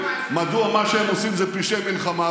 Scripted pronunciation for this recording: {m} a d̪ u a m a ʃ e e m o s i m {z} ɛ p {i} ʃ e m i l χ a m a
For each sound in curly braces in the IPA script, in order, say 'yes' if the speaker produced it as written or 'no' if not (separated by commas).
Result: yes, yes, yes